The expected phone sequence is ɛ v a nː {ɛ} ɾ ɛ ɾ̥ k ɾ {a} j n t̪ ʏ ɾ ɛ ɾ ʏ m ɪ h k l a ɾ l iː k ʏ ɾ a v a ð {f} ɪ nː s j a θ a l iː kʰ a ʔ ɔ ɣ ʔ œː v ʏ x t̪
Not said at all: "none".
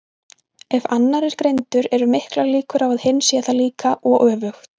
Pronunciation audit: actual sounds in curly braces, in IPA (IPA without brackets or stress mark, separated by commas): a, e, h